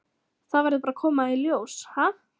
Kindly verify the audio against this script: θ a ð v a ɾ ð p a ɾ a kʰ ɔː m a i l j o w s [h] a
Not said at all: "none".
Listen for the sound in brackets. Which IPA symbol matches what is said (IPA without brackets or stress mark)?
h